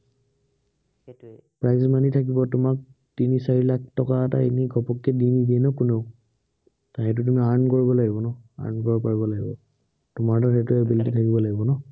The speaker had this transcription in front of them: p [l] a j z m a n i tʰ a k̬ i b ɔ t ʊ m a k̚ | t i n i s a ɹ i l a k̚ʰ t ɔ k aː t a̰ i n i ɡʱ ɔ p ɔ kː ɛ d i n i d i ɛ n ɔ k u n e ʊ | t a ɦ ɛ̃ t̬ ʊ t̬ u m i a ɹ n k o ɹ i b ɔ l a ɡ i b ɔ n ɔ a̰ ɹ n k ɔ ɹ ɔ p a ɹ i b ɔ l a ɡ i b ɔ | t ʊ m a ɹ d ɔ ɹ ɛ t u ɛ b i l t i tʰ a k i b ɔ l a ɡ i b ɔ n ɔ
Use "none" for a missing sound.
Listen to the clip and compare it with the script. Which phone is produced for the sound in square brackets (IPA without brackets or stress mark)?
ɹ